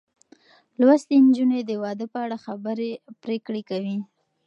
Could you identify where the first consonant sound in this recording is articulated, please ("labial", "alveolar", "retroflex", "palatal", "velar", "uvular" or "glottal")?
alveolar